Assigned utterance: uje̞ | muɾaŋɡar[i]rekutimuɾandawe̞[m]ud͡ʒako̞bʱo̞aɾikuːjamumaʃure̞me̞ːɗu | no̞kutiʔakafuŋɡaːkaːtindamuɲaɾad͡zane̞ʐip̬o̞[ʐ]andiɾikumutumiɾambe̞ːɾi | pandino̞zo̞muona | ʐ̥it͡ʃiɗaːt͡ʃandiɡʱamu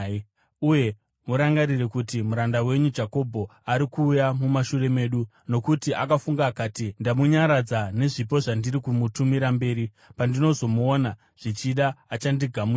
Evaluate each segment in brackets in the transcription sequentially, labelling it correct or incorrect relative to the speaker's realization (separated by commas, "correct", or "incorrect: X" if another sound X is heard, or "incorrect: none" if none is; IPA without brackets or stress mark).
correct, incorrect: ɲ, correct